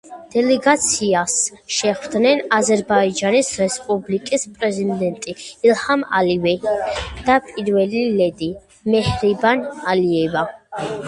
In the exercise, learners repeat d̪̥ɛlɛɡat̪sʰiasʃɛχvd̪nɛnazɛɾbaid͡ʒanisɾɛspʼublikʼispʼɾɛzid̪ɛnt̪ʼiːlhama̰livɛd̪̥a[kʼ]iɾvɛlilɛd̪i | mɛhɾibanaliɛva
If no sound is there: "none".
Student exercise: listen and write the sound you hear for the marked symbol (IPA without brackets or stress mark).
pʼ